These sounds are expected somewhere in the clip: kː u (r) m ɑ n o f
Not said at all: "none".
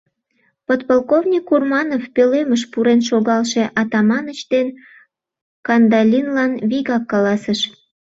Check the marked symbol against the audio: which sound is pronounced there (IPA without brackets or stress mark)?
r